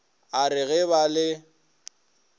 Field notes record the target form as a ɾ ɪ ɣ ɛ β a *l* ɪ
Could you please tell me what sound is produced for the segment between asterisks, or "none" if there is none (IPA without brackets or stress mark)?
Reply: l